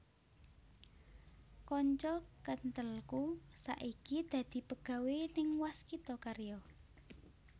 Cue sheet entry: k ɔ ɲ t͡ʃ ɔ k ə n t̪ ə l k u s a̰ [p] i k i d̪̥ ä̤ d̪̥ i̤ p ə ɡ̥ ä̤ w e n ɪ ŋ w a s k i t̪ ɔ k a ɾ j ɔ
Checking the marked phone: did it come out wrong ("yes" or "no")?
yes